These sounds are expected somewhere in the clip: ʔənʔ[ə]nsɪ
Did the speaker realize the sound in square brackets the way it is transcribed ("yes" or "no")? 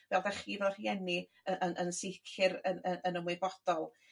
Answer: yes